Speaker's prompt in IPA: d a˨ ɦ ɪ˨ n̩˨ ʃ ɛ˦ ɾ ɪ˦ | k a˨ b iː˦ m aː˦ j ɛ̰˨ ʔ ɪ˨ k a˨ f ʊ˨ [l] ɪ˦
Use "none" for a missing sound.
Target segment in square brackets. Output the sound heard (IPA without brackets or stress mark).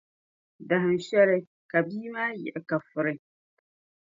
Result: ɾ